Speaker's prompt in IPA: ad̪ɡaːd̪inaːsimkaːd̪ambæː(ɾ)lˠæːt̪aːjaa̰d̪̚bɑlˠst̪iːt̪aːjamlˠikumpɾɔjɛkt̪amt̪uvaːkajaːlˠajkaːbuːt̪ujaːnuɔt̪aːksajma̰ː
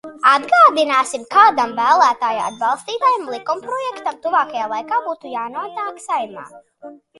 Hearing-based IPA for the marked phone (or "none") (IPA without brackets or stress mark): none